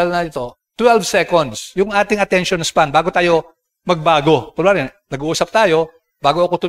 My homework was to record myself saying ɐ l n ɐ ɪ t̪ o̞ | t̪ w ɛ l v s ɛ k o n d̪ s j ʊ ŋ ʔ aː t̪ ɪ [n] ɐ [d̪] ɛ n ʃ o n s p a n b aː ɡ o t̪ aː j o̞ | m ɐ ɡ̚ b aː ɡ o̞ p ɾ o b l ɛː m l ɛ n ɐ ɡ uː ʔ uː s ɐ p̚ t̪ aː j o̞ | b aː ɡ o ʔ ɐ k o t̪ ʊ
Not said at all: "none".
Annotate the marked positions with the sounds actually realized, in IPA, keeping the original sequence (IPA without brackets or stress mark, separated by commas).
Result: ŋ, t̪